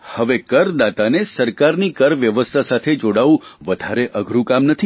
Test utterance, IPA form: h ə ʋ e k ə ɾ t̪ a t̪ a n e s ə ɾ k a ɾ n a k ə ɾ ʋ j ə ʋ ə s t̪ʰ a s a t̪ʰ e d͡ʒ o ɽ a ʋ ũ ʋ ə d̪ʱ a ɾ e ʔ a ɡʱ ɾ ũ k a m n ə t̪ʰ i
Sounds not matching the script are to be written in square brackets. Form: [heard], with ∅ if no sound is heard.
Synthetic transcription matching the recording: h ə ʋ e k ə ɾ [d̪] a t̪ a n e s ə ɾ k a ɾ n [i] k ə ɾ ʋ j ə ʋ ə s t̪ʰ a s a t̪ʰ e d͡ʒ o ɽ a ʋ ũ ʋ ə d̪ʱ a ɾ e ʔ [ə] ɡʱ ɾ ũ k a m n ə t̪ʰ i